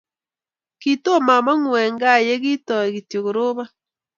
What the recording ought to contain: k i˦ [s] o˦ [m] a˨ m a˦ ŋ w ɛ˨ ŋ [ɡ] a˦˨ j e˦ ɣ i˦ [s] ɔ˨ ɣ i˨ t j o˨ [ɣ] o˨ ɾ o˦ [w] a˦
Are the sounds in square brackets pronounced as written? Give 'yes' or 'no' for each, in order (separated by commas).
no, yes, yes, no, yes, no